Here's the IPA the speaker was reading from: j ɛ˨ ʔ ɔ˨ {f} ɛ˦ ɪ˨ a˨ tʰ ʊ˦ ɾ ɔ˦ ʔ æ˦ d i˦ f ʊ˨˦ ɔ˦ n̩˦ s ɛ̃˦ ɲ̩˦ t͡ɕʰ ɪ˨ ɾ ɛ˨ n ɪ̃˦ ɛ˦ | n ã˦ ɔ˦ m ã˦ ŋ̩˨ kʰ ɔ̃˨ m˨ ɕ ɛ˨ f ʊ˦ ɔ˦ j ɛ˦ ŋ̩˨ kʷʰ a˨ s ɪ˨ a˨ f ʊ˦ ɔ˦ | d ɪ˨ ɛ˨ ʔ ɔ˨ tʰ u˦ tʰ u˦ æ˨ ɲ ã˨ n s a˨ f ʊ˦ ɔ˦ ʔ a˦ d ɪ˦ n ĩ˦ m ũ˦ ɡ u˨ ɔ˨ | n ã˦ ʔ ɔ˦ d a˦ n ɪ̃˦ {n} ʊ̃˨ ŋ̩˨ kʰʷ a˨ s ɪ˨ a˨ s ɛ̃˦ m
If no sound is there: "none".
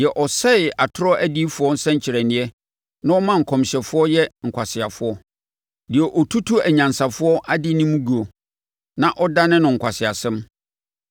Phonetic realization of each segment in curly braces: s, n

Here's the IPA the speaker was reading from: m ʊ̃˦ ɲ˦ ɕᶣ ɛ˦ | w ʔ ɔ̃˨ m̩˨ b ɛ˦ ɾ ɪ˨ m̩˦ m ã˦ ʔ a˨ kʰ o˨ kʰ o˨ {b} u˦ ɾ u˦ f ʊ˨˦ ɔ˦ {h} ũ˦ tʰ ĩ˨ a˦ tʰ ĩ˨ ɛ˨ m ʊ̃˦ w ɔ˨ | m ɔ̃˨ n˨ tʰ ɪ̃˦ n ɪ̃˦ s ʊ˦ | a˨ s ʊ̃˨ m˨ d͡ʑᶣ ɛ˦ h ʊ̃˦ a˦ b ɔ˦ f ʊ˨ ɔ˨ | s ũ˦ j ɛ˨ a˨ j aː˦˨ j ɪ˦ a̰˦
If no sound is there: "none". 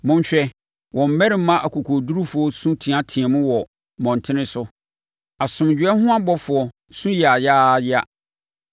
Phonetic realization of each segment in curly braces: d, s

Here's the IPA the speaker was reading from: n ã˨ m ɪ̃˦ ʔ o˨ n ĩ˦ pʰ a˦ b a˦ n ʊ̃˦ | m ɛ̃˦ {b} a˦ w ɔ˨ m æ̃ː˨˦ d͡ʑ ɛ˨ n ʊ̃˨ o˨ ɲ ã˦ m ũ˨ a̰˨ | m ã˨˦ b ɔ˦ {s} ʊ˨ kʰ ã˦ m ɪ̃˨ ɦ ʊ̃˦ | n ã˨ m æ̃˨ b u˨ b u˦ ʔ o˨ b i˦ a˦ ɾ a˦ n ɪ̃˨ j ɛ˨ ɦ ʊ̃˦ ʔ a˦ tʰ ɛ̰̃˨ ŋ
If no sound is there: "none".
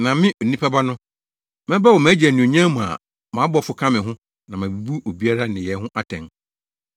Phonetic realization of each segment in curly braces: b, f

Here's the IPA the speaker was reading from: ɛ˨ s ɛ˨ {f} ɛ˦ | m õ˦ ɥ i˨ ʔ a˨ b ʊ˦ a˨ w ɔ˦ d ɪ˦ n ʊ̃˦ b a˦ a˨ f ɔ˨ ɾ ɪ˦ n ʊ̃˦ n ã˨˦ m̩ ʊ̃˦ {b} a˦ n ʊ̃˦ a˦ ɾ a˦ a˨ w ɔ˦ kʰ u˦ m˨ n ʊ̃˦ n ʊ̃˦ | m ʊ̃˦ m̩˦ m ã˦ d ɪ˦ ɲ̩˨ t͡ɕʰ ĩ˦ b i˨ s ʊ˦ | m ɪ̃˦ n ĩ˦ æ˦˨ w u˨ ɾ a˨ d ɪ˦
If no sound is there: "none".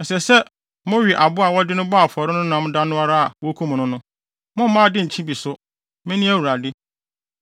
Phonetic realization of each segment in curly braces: s, d

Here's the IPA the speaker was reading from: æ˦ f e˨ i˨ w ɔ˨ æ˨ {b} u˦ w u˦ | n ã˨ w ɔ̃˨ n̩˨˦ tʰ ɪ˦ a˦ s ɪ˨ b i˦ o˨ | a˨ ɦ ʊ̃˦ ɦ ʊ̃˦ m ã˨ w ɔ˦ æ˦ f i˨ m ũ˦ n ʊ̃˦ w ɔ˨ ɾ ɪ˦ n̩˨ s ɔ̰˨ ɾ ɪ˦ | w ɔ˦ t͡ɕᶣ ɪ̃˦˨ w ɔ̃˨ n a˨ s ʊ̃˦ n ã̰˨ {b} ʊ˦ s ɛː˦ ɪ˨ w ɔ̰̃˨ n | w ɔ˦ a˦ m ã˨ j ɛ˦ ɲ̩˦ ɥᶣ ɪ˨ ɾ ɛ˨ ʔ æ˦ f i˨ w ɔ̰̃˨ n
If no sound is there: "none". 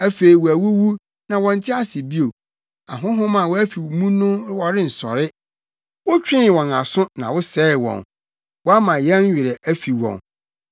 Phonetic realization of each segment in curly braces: w, w

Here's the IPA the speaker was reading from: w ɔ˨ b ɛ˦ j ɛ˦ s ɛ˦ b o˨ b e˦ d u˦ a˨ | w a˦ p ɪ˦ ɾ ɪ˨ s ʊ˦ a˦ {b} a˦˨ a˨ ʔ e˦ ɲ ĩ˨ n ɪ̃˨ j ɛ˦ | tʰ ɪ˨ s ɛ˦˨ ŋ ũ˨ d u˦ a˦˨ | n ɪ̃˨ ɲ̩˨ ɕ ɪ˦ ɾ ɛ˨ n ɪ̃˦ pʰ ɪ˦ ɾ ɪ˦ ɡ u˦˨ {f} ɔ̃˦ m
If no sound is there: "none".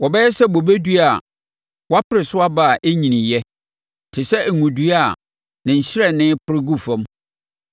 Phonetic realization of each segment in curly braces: b, f

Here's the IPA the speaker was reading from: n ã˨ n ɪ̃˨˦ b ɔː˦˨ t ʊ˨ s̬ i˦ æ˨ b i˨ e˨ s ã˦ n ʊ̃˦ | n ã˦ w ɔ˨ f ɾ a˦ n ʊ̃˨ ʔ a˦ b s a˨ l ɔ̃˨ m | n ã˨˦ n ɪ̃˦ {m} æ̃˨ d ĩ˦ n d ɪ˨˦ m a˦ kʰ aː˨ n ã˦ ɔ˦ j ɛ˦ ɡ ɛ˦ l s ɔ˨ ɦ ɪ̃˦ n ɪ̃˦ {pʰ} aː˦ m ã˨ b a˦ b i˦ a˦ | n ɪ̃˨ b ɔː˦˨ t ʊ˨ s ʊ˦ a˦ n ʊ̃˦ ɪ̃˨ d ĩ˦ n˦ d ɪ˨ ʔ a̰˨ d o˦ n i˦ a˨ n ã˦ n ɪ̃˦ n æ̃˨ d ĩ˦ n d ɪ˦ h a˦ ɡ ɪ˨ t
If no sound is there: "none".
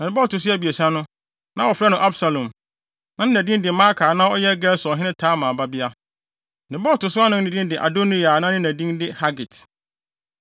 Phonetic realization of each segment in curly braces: n, tʰ

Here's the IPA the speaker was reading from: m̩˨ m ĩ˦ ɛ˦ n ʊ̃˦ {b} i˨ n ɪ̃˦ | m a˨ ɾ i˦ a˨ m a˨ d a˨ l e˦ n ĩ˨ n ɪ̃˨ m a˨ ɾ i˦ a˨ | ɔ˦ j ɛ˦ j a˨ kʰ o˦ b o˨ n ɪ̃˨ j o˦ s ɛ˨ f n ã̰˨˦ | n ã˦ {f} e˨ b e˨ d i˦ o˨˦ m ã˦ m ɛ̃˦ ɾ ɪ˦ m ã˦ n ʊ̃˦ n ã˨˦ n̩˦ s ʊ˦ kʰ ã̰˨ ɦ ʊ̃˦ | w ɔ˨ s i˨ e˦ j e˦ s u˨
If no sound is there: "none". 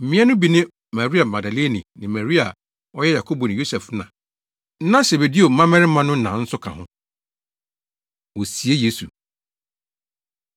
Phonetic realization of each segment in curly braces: b, s

